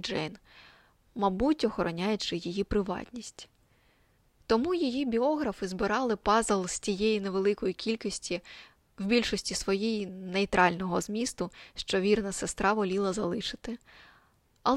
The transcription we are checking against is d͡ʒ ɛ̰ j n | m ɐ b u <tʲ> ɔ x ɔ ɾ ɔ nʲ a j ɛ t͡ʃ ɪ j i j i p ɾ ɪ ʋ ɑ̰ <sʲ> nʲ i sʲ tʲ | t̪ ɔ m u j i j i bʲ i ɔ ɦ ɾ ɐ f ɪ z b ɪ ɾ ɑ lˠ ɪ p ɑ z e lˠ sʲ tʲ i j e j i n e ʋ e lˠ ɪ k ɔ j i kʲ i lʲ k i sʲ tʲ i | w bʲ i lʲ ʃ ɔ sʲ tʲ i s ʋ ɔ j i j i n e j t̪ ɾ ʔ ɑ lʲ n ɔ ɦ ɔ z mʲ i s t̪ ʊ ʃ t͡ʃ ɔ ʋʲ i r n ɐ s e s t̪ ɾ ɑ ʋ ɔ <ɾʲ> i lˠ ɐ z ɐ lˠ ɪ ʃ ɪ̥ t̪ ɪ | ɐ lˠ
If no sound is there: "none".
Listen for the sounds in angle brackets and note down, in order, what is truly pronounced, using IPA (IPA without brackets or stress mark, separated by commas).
tʲ, tʲ, lʲ